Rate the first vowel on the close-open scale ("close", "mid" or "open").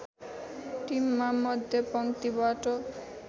close